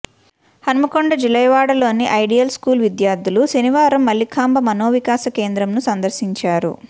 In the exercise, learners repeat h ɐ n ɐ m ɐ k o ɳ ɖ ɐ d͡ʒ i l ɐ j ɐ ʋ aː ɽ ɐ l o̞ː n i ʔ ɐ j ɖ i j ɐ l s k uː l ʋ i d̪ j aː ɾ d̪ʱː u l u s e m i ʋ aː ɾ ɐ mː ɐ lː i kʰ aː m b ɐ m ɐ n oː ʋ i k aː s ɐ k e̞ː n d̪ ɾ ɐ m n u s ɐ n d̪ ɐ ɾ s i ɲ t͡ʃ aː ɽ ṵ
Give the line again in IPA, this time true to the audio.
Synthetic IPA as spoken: h ɐ n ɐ m ɐ k o ɳ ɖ ɐ d͡ʒ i l ɐ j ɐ ʋ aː ɽ ɐ l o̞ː n i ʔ ɐ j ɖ i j ɐ l s k uː l ʋ i d̪ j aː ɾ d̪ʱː u l u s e n i ʋ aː ɾ ɐ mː ɐ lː i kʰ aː m b ɐ m ɐ n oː ʋ i k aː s ɐ k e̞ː n d̪ ɾ ɐ m n u s ɐ n d̪ ɐ ɾ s i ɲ t͡ʃ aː ɾ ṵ